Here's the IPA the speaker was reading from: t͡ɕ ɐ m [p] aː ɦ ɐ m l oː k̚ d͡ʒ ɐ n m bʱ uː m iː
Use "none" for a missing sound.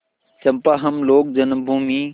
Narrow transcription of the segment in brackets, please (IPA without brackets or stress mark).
p